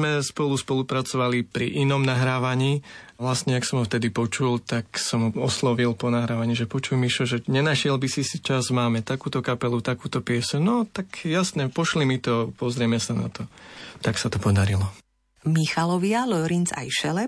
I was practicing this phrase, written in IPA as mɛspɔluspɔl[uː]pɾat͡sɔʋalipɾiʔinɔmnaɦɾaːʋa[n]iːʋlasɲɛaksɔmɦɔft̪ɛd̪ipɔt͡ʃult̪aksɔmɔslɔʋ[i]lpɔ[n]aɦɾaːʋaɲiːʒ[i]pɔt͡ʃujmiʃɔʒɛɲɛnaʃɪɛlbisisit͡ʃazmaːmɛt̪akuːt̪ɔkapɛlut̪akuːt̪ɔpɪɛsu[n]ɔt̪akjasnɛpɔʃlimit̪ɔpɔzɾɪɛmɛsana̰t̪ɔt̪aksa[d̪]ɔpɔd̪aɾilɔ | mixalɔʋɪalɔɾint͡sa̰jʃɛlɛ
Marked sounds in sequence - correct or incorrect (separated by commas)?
incorrect, incorrect, correct, correct, incorrect, correct, incorrect